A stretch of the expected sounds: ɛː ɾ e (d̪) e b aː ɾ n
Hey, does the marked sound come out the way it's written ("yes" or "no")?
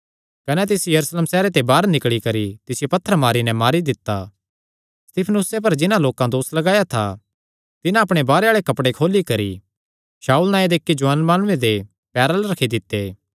no